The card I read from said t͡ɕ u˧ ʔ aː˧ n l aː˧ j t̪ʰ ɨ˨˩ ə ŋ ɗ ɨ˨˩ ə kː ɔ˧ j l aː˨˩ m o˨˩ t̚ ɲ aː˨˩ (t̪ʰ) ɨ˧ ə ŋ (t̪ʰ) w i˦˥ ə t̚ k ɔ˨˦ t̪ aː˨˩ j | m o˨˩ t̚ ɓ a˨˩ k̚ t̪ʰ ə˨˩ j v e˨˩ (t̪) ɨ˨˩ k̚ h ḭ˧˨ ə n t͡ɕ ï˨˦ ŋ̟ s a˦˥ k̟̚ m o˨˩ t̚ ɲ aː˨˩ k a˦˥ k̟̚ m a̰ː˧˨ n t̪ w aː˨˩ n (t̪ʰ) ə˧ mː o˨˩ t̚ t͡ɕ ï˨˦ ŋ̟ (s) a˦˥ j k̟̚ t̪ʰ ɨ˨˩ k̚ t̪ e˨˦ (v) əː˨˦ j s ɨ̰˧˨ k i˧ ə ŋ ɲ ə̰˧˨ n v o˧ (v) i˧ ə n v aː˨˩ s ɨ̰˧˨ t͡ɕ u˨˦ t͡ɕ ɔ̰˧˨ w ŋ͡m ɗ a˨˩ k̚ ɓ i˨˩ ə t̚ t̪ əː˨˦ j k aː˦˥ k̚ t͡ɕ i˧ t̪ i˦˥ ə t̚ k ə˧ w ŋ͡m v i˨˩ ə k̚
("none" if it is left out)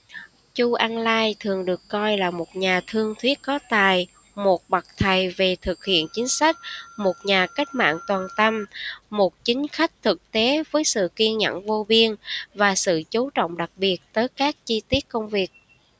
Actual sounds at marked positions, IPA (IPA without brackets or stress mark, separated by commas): t̪ʰ, t̪ʰ, t̪ʰ, t̪, x, v, v